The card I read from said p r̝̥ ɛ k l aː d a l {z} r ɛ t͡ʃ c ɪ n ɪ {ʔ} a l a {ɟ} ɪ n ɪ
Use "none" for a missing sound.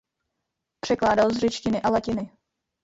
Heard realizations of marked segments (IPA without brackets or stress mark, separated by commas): z, ʔ, c